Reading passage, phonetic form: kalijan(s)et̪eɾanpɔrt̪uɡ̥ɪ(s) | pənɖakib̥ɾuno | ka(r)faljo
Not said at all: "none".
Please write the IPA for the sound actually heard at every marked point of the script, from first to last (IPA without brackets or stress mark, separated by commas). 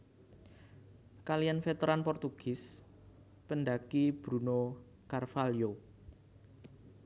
f, s, r